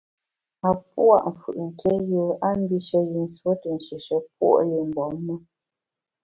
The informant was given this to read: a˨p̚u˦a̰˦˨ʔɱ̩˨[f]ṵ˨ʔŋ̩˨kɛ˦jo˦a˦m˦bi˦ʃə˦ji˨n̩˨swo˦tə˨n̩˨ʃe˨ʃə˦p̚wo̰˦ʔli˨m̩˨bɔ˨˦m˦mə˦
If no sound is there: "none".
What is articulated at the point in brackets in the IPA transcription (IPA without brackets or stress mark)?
f